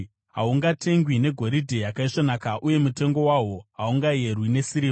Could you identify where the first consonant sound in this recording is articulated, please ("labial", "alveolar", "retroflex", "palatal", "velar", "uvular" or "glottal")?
glottal